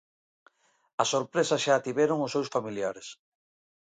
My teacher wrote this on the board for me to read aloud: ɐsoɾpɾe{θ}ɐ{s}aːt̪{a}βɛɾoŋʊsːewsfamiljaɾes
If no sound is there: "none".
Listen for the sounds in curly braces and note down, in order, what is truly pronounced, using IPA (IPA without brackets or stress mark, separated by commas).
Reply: s, ʃ, i